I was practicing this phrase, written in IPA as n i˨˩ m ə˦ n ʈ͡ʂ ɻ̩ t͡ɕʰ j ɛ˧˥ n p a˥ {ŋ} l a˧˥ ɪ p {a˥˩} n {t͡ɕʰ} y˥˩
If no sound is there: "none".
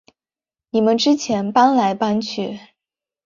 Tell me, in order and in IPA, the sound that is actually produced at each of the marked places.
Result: n, a˥, t͡ɕʰ

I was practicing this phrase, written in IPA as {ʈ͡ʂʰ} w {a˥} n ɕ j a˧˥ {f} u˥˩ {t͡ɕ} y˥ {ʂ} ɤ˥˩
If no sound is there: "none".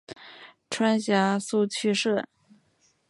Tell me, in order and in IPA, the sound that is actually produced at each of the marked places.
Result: ʈ͡ʂʰ, a˥, s, t͡ɕʰ, ʂ

